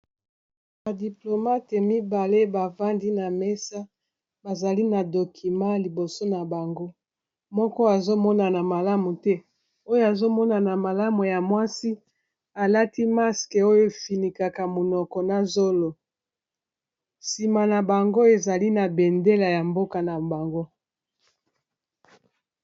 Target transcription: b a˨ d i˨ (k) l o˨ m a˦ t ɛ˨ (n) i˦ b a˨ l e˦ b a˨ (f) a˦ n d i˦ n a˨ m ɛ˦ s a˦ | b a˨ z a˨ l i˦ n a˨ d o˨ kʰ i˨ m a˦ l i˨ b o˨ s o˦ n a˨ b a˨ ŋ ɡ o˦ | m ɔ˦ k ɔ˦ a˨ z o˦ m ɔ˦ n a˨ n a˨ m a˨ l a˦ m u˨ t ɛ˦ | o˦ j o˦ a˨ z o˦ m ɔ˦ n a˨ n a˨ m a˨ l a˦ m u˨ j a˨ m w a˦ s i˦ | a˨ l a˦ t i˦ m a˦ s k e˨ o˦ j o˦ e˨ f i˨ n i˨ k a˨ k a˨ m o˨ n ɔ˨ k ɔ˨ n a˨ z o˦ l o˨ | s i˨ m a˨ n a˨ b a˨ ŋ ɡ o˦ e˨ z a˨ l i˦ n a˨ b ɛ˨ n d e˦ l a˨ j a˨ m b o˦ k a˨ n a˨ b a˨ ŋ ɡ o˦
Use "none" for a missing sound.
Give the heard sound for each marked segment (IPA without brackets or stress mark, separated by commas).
p, m, v